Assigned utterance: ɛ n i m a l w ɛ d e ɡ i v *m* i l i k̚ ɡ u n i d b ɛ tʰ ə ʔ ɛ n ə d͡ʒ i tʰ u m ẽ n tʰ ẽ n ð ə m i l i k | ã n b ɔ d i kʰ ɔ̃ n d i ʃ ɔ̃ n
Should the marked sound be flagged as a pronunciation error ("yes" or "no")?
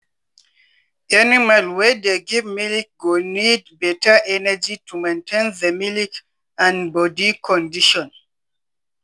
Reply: no